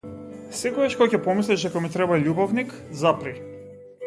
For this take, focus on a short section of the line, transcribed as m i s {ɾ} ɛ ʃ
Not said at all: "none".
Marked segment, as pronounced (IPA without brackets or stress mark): l